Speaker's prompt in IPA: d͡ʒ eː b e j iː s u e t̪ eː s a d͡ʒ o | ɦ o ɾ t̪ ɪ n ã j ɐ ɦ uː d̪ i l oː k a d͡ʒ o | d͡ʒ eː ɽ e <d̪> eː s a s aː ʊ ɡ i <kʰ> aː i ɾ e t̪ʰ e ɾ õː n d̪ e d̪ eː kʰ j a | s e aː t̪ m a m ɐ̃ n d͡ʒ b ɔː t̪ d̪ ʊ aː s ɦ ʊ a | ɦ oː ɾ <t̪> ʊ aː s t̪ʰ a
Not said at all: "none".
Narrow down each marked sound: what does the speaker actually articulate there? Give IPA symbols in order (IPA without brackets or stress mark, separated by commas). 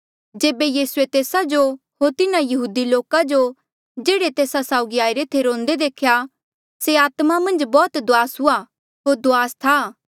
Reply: t̪, none, d̪